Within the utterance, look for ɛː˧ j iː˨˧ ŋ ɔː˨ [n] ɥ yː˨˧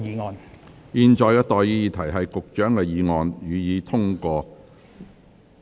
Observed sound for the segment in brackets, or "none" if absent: n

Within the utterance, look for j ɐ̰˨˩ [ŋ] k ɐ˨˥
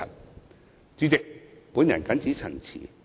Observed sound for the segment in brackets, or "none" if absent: n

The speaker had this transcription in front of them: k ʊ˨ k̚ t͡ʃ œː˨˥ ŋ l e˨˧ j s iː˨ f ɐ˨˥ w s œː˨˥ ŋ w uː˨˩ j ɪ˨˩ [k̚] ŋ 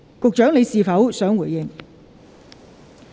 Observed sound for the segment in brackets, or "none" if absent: none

